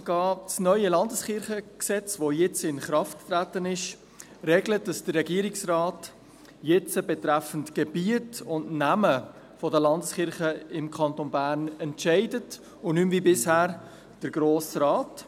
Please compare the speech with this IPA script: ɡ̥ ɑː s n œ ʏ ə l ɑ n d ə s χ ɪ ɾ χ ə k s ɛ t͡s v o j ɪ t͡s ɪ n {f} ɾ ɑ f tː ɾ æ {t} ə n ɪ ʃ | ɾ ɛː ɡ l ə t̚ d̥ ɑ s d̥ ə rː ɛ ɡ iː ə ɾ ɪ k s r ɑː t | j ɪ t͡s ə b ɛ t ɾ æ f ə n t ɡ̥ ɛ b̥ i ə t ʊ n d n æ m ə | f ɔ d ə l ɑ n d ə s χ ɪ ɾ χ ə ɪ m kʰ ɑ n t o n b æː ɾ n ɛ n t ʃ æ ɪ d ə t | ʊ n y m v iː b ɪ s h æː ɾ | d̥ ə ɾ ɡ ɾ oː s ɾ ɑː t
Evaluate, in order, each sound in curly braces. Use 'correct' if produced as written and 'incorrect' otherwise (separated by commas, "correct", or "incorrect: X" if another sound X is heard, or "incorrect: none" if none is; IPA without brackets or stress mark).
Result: incorrect: χ, correct